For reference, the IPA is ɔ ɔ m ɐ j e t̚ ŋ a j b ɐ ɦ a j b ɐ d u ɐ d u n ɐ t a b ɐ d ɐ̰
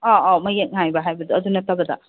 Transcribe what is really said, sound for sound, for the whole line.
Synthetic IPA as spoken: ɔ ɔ m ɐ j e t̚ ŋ a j b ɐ ɦ a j b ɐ d u ɐ d u n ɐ t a b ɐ d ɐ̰